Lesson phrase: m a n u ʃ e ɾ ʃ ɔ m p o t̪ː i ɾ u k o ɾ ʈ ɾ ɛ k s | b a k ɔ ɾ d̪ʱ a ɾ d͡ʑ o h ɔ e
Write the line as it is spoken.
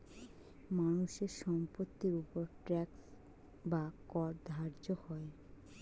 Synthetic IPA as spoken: m a n u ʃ e ɾ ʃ ɔ m p o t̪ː i ɾ u p o ɾ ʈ ɾ ɛ k s | b a k ɔ ɾ d̪ʱ a ɾ d͡ʑ o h ɔ e